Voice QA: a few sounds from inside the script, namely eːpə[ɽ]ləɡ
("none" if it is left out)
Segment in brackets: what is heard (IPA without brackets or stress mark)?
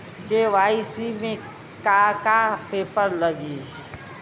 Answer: ɾ